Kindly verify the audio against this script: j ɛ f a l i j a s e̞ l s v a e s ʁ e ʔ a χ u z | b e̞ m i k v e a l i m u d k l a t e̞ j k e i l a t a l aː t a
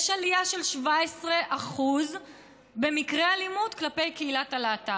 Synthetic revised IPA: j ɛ ʃ a l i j a ʃ e̞ l ʃ v a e s ʁ e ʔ a χ u z | b e̞ m i k ʁ e a l i m u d k l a p e̞ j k e i l a t a l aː t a

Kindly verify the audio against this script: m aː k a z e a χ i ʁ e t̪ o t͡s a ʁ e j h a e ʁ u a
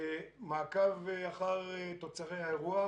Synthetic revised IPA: m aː k a v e a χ a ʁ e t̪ o t͡s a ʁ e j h a e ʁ u a

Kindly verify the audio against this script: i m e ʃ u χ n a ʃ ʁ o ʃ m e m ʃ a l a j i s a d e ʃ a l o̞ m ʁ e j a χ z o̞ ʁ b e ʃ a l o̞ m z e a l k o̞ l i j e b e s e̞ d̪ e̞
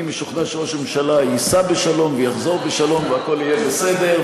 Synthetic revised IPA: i m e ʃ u χ n a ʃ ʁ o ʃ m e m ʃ a l a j i s a b e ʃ a l o̞ m v e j a χ z o̞ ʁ b e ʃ a l o̞ m v e a k o̞ l i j e b e s e̞ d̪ e̞

